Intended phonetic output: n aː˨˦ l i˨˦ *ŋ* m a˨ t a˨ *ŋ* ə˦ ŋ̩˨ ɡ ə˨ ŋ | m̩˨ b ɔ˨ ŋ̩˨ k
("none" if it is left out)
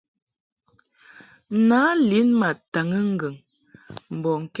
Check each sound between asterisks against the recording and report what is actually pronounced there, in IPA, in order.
n, ŋ

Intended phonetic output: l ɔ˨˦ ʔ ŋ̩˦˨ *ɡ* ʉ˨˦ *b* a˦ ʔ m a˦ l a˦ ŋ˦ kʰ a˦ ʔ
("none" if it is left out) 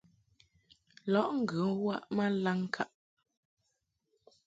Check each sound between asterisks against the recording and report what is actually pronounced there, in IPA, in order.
ɡ, w

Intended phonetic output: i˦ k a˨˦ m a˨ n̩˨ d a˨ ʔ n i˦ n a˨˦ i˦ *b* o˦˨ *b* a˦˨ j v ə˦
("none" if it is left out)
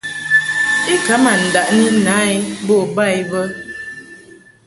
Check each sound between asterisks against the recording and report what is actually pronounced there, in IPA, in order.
b, b

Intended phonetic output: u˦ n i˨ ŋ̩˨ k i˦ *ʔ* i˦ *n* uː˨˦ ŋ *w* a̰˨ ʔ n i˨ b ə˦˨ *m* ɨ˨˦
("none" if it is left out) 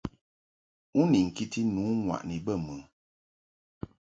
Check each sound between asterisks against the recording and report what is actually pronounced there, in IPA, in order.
t, n, w, m

